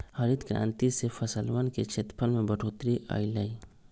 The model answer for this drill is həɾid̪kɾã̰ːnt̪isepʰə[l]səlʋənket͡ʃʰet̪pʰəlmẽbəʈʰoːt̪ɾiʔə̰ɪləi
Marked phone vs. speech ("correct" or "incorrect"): incorrect